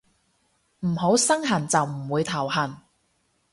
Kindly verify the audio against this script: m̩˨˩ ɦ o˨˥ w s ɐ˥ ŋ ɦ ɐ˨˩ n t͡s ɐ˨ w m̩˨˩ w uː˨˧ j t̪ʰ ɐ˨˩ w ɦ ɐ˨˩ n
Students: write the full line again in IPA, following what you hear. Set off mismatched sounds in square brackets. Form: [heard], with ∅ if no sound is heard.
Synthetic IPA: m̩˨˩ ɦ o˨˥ w s ɐ˥ ŋ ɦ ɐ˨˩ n t͡s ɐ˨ w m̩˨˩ w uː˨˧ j t̪ʰ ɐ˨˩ w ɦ ɐ˨˩ n